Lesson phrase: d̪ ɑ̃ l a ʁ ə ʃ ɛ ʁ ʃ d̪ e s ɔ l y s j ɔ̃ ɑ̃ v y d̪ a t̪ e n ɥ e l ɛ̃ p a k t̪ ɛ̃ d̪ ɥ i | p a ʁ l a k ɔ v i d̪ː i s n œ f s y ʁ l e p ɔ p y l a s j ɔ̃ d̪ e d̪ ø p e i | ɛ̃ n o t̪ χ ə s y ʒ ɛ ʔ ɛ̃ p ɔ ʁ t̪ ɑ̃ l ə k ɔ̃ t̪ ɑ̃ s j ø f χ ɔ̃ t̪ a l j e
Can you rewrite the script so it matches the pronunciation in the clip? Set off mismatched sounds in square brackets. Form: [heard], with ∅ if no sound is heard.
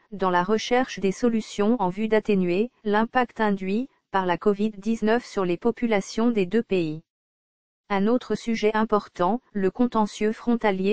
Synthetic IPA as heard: d̪ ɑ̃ l a ʁ ə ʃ ɛ ʁ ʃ d̪ e s ɔ l y s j ɔ̃ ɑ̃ v y d̪ a t̪ e n ɥ e l ɛ̃ p a k t̪ ɛ̃ d̪ ɥ i | p a ʁ l a k ɔ v i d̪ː i [z] n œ f s y ʁ l e p ɔ p y l a s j ɔ̃ d̪ e d̪ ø p e i | ɛ̃ n o t̪ χ ə s y ʒ ɛ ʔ ɛ̃ p ɔ ʁ t̪ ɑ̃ l ə k ɔ̃ t̪ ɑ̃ s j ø f χ ɔ̃ t̪ a l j e

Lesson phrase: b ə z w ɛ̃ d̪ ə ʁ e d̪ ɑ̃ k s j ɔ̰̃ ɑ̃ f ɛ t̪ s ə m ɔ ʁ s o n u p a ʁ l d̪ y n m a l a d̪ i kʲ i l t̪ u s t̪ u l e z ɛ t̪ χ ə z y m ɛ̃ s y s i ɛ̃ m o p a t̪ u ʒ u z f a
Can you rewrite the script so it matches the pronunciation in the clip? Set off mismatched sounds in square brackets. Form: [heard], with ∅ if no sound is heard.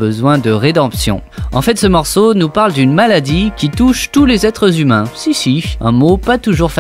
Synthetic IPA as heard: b ə z w ɛ̃ d̪ ə ʁ e d̪ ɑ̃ [p] s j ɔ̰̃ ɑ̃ f ɛ t̪ s ə m ɔ ʁ s o n u p a ʁ l d̪ y n m a l a d̪ i kʲ i [∅] t̪ u [ʃ] t̪ u l e z ɛ t̪ χ ə z y m ɛ̃ s [i] s i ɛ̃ m o p a t̪ u ʒ u [ʁ] f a

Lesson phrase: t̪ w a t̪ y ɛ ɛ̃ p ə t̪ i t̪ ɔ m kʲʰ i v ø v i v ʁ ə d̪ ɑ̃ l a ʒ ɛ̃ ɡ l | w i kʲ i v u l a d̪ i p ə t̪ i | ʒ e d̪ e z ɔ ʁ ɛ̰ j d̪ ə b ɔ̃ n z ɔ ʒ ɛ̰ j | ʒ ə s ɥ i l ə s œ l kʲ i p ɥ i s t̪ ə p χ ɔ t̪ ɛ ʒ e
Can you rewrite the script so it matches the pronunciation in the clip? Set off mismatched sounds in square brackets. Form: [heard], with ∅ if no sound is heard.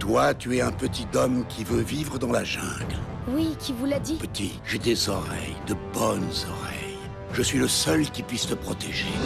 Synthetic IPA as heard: t̪ w a t̪ y ɛ ɛ̃ p ə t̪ i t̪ ɔ m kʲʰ i v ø v i v ʁ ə d̪ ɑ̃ l a ʒ ɛ̃ ɡ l | w i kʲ i v u l a d̪ i p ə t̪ i | ʒ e d̪ e z ɔ ʁ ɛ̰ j d̪ ə b [ɔ] n z ɔ [ʁ] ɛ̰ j | ʒ ə s ɥ i l ə s œ l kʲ i p ɥ i s t̪ ə p χ ɔ t̪ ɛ ʒ e

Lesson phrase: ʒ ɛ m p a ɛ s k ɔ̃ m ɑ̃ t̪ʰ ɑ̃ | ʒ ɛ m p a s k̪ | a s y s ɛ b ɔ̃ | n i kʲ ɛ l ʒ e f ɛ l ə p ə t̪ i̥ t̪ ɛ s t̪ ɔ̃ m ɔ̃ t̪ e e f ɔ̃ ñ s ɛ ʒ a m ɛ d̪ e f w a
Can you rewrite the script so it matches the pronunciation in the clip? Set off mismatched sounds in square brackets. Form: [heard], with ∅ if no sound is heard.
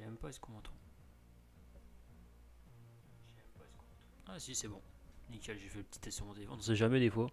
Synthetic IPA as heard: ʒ ɛ m p a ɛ s k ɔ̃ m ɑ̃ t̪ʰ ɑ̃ | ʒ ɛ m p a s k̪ | a s [i] s ɛ b ɔ̃ | n i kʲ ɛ l ʒ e f ɛ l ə p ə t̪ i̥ t̪ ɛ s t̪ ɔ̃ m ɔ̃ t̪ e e f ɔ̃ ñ s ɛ ʒ a m ɛ d̪ e f w a

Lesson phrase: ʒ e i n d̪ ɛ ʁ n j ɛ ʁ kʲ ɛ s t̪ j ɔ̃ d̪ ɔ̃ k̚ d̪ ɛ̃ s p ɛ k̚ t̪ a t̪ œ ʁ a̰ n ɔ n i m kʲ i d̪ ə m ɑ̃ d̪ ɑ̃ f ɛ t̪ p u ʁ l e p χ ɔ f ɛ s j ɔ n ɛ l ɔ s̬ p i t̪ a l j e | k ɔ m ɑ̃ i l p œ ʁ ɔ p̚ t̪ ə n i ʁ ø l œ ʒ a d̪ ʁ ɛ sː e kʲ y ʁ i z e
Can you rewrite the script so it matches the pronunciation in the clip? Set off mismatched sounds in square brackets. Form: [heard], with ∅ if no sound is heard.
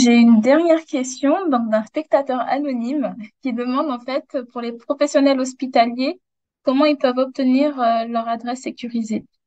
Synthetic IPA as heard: ʒ e [y] n d̪ ɛ ʁ n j ɛ ʁ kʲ ɛ s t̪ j ɔ̃ d̪ ɔ̃ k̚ d̪ ɛ̃ s p ɛ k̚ t̪ a t̪ œ ʁ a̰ n ɔ n i m kʲ i d̪ ə m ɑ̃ d̪ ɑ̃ f ɛ t̪ p u ʁ l e p χ ɔ f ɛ s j ɔ n ɛ l ɔ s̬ p i t̪ a l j e | k ɔ m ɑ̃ i l p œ [v] ɔ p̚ t̪ ə n i ʁ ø l œ [ʁ] a d̪ ʁ ɛ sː e kʲ y ʁ i z e

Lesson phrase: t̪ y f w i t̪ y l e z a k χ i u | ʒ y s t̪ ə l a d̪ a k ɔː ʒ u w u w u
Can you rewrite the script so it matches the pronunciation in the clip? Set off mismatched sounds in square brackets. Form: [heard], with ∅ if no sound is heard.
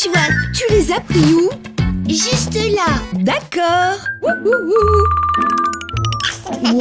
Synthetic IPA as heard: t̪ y [v] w [a] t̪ y l e z a [p] χ i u | ʒ y s t̪ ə l a d̪ a k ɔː [ʁ] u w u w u

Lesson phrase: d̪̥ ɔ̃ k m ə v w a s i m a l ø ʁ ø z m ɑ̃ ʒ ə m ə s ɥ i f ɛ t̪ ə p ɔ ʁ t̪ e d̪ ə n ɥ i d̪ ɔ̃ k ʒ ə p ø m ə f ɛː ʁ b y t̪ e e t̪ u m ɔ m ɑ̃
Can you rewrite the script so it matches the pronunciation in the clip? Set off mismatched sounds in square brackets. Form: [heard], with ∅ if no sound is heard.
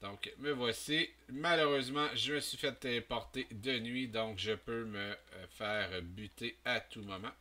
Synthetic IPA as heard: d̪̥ ɔ̃ k m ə v w a s i m a l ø ʁ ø z m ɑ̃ ʒ ə m ə s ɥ i f ɛ t̪ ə p ɔ ʁ t̪ e d̪ ə n ɥ i d̪ ɔ̃ k ʒ ə p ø m ə f ɛː ʁ b y t̪ e [a] t̪ u m ɔ m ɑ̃

